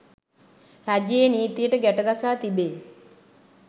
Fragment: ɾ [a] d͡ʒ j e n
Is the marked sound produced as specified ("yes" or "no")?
yes